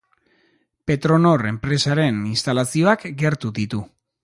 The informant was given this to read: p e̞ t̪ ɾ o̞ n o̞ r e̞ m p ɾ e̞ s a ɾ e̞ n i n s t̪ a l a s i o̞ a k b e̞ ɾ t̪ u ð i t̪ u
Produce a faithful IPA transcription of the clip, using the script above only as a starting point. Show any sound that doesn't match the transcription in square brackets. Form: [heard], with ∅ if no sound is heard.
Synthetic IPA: p e̞ t̪ ɾ o̞ n o̞ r e̞ m p ɾ e̞ s a ɾ e̞ n i n s t̪ a l a s i o̞ a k [ɡ] e̞ ɾ t̪ u ð i t̪ u